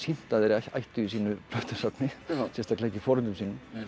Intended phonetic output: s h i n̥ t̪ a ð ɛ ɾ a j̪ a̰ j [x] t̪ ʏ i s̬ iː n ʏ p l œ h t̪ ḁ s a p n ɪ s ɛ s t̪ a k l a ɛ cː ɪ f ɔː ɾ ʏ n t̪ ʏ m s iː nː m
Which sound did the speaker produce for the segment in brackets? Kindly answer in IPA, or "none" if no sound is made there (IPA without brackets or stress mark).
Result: h